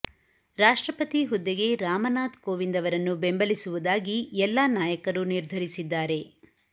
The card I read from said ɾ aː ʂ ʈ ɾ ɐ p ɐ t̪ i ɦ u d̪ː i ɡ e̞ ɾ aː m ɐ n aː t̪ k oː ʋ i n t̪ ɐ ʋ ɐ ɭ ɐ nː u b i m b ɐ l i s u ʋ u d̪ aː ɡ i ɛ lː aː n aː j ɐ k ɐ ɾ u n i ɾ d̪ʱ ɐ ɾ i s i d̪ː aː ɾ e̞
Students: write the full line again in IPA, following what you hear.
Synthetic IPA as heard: ɾ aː ʂ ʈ ɾ ɐ p ɐ t̪ i ɦ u d̪ː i ɡ e̞ ɾ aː m ɐ n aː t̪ k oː ʋ i n d̪ ɐ ʋ ɐ ɾ ɐ nː u b e m b ɐ l i s u ʋ u d̪ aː ɡ i ɛ lː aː n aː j ɐ k ɐ ɾ u n i ɾ d̪ʱ ɐ ɾ i s i d̪ː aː ɾ e̞

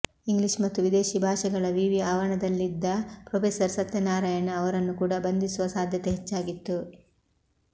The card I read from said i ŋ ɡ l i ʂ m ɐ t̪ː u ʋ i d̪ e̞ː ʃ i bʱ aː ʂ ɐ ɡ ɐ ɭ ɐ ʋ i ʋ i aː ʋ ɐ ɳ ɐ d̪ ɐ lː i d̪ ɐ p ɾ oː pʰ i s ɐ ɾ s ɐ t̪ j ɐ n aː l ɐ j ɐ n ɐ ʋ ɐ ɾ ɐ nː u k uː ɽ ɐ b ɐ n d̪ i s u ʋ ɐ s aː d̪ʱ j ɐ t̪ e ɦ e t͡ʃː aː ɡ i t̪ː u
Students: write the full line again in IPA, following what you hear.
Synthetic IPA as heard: i ŋ ɡ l i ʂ m ɐ t̪ː u ʋ i d̪ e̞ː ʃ i bʱ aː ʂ ɐ ɡ ɐ ɭ ɐ ʋ i ʋ i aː ʋ ɐ ɳ ɐ d̪ ɐ lː i d̪ː ɐ p ɾ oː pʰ e s ɐ ɾ s ɐ t̪ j ɐ n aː ɾ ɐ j ɐ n ɐ ʋ ɐ ɾ ɐ nː u k uː ɽ ɐ b ɐ n d̪ i s u ʋ ɐ s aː d̪ʱ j ɐ t̪ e ɦ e t͡ʃː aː ɡ i t̪ː u

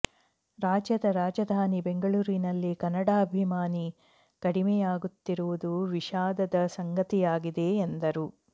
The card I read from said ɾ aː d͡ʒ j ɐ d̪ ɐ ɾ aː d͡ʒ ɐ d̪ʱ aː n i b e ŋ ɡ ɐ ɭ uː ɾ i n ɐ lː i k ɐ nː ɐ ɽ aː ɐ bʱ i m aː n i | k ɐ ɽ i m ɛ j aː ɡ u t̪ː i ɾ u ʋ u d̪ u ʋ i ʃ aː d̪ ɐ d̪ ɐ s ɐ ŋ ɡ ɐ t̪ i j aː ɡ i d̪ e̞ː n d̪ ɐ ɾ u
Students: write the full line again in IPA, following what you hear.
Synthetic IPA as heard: ɾ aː d͡ʒ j ɐ d̪ ɐ ɾ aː d͡ʒ ɐ d̪ʱ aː n i b e ŋ ɡ ɐ ɭ uː ɾ i n ɐ lː i k ɐ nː ɐ ɽ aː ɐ bʱ i m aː n i | k ɐ ɽ i m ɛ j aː ɡ u t̪ː i ɾ u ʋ u d̪ u ʋ i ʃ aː d̪ ɐ d̪ ɐ s ɐ ŋ ɡ ɐ t̪ i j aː ɡ i d̪ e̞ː n d̪ ɐ ɾ u

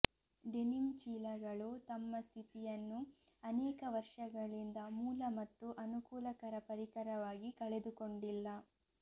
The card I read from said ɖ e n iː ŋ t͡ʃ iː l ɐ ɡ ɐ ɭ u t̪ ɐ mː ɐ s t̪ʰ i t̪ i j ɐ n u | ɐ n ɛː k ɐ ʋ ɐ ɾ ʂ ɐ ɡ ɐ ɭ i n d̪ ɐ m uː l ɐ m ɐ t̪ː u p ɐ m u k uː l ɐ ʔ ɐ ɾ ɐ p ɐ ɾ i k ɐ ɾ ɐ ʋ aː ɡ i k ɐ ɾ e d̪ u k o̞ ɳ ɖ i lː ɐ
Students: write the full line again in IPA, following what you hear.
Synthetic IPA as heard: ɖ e n i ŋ t͡ʃ iː l ɐ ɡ ɐ ɭ u t̪ ɐ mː ɐ s t̪ʰ i t̪ i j ɐ nː u | ɐ n ɛː k ɐ ʋ ɐ ɾ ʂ ɐ ɡ ɐ ɭ i n d̪ ɐ m uː l ɐ m ɐ t̪ː u ʔ ɐ n u k uː l ɐ k ɐ ɾ ɐ p ɐ ɾ i k ɐ ɾ ɐ ʋ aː ɡ i k ɐ ɭ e d̪ u k o̞ ɳ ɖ i lː ɐ

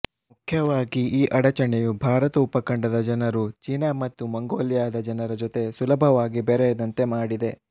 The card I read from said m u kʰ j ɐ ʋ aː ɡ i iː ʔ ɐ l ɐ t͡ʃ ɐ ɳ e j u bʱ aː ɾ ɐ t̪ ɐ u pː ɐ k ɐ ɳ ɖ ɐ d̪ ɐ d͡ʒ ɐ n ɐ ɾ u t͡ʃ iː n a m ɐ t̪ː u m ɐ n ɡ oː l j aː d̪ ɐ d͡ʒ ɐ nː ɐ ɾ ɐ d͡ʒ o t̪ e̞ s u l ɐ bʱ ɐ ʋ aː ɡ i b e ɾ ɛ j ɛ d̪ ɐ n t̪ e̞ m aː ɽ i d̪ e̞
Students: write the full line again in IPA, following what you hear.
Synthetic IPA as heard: m u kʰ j ɐ ʋ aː ɡ i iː ʔ ɐ ɽ ɐ t͡ʃ ɐ ɳ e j u bʱ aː ɾ ɐ t̪ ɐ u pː ɐ k ɐ ɳ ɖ ɐ d̪ ɐ d͡ʒ ɐ n ɐ ɾ u t͡ʃ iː n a m ɐ t̪ː u m ɐ ŋ ɡ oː l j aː d̪ ɐ d͡ʒ ɐ n ɐ ɾ ɐ d͡ʒ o t̪ e̞ s u l ɐ bʱ ɐ ʋ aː ɡ i b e ɾ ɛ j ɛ d̪ ɐ n t̪ e̞ m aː ɽ i d̪ e̞

